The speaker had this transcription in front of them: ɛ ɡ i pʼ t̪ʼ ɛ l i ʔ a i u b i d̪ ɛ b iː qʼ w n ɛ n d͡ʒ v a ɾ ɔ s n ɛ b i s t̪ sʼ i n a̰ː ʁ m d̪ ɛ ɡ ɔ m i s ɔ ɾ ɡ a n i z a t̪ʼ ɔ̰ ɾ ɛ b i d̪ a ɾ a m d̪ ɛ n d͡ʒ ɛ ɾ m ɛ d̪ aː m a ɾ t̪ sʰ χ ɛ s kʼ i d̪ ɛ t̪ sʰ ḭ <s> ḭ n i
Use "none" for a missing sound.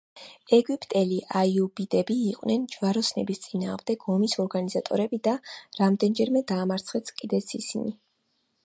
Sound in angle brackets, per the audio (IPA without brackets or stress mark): s